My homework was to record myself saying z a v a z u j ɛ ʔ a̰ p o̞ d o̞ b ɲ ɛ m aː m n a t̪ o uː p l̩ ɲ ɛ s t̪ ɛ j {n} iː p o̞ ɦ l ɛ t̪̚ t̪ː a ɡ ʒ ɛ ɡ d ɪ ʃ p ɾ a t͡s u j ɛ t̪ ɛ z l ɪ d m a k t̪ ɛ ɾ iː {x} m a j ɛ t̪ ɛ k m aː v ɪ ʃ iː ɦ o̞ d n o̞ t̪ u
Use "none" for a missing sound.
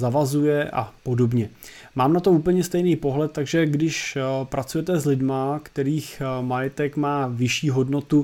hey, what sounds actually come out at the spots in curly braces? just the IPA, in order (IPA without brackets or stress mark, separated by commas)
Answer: n, x